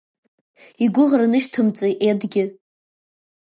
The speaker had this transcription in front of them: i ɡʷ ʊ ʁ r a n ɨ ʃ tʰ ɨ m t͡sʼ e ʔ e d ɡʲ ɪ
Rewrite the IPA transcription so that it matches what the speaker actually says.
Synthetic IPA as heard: i ɡʷ ʊ ʁ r a n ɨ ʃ tʰ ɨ m t͡sʼ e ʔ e d ɡʲ ɪ

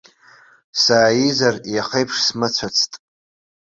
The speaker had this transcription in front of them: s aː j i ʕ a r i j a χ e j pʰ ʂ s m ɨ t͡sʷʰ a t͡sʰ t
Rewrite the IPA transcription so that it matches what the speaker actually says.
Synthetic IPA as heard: s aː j i z a r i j a χ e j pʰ ʂ s m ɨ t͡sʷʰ a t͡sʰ tʼ

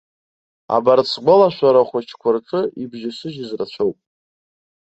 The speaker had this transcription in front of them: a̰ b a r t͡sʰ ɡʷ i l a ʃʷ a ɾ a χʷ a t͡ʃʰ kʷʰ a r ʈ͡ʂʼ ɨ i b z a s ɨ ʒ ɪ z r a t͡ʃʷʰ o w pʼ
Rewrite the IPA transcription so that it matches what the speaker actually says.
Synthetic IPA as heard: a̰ b a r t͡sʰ ɡʷ a l a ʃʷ a ɾ a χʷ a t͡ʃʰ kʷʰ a r ʈ͡ʂʼ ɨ i b ʒ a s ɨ ʒ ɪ z r a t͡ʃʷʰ o w pʼ

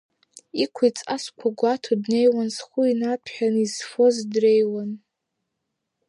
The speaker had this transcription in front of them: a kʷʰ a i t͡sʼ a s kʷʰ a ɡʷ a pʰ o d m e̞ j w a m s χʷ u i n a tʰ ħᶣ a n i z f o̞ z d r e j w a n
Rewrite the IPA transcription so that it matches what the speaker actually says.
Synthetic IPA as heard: i kʷʰ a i t͡sʼ a s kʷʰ a ɡʷ a tʰ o d n e̞ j w a n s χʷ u i n a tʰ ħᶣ a n i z f o̞ z d r e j w a n

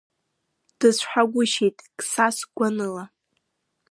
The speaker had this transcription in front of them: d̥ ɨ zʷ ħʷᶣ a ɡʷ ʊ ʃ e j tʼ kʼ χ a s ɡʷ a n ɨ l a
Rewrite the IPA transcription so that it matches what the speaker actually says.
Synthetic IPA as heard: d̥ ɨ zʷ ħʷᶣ a ɡʷ ʊ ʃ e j tʼ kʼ s a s ɡʷ a n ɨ l a

